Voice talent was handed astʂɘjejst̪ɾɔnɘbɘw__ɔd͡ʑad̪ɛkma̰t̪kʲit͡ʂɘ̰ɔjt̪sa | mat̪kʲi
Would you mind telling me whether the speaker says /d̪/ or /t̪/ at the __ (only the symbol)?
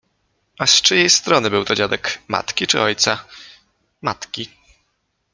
t̪